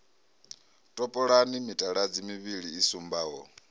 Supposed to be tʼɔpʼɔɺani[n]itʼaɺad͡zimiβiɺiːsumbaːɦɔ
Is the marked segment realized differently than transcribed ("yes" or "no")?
yes